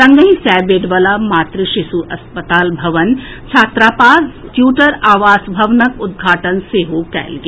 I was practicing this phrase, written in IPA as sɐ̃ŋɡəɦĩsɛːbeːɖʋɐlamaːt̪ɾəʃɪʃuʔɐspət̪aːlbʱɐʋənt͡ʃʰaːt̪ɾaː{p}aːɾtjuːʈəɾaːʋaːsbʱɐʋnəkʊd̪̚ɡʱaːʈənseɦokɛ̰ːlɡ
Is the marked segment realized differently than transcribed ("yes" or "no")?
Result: no